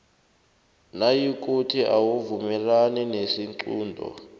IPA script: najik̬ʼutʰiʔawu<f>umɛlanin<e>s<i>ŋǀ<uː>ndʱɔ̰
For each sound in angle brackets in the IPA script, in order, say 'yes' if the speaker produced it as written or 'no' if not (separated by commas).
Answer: no, yes, yes, yes